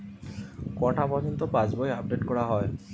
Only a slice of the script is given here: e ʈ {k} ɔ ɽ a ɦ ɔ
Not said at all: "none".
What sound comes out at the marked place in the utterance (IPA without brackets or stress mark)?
k